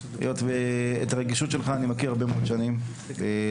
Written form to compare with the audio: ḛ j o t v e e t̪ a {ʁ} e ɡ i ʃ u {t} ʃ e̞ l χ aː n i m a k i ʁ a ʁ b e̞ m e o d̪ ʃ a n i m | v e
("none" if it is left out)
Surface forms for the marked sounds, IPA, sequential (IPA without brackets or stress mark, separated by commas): ʁ, t